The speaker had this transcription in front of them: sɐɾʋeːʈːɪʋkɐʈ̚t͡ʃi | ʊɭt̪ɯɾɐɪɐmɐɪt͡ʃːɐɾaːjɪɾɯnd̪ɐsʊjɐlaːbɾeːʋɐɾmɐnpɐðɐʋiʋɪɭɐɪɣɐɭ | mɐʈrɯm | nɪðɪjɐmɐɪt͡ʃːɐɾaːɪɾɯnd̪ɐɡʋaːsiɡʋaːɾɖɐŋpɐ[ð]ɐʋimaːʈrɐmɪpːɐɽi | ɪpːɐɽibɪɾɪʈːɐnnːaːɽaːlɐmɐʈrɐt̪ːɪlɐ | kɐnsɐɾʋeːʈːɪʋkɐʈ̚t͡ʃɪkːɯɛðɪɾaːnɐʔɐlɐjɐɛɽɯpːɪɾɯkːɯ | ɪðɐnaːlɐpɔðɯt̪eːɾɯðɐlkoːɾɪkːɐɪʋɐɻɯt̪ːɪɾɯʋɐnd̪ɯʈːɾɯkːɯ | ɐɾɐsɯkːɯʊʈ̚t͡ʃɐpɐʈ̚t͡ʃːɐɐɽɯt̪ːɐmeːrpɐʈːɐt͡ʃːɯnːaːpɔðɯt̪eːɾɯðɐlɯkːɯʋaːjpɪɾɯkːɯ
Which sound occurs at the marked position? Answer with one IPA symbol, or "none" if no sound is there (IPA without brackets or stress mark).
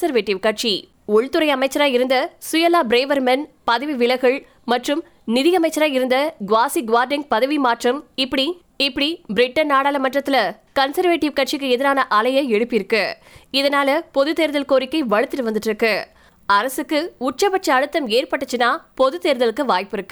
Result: ð